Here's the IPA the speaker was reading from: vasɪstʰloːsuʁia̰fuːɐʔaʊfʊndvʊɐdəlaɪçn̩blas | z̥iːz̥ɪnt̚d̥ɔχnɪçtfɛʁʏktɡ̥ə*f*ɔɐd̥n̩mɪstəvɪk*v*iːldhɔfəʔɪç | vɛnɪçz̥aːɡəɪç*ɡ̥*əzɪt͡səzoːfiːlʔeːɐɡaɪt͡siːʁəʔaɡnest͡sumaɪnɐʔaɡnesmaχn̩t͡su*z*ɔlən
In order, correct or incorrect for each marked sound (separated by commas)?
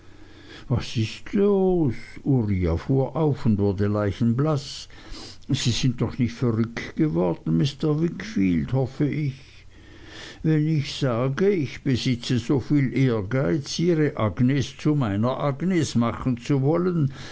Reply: incorrect, incorrect, incorrect, incorrect